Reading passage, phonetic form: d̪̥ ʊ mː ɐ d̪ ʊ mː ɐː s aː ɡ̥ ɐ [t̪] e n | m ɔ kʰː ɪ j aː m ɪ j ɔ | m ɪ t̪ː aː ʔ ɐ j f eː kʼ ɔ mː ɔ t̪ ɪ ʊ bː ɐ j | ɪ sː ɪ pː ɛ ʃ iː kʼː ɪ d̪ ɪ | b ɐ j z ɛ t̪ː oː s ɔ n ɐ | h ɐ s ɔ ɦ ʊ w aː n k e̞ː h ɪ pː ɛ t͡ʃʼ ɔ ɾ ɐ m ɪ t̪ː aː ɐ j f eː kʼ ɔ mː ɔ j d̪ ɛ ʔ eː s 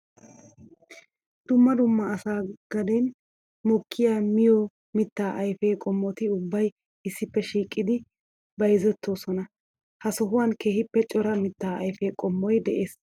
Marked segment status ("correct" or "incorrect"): incorrect